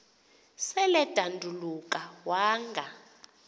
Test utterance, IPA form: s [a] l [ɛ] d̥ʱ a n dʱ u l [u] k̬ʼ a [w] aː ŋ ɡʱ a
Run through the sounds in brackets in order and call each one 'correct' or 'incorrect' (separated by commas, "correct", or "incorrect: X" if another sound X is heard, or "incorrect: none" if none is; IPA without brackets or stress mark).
incorrect: ɛ, correct, correct, correct